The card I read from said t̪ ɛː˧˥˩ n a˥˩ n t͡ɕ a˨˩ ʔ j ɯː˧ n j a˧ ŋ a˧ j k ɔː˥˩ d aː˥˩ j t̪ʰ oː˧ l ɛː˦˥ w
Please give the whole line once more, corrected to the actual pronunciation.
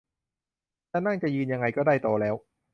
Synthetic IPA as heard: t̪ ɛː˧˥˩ n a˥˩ ŋ t͡ɕ a˨˩ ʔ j ɯː˧ n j a˧ ŋ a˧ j k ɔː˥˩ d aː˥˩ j t̪ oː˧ l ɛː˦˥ w